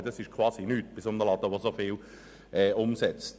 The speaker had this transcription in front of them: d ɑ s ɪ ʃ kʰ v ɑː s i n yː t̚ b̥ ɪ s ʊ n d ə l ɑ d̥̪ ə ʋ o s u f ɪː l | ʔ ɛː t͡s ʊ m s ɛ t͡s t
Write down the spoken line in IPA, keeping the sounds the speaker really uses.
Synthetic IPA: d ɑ s ɪ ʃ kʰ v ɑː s i n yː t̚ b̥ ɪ s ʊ n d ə l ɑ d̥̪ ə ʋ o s o f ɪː l | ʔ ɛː ʊ m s ɛ t͡s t